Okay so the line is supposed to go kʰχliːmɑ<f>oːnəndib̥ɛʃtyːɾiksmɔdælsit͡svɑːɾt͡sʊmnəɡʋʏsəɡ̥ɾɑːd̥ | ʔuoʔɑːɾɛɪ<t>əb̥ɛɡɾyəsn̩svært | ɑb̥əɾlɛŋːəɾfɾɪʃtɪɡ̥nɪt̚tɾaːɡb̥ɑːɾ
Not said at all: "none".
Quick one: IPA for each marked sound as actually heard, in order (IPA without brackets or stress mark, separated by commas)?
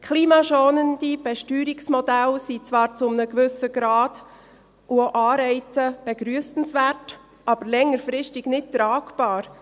ʃ, t͡s